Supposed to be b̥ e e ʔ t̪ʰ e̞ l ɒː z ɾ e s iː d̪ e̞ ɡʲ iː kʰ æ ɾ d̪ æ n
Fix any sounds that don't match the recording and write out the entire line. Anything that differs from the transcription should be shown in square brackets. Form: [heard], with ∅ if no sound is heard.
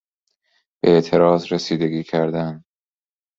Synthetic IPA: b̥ e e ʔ t̪ʰ e̞ [ɾ] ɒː z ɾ e s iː d̪ e̞ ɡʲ iː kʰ æ ɾ d̪ æ n